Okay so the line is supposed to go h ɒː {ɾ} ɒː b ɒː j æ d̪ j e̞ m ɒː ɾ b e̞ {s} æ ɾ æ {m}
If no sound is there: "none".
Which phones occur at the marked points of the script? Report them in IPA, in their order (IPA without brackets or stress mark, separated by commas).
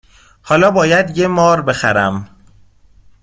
l, x, m